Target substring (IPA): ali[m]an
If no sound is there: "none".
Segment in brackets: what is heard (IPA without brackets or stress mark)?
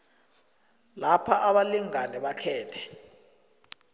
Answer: ŋ